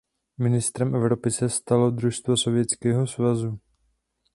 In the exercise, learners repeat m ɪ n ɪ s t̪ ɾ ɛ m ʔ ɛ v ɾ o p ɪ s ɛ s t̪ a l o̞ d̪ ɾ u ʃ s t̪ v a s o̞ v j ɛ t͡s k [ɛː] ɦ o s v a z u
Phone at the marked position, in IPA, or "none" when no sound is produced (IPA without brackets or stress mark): ɛː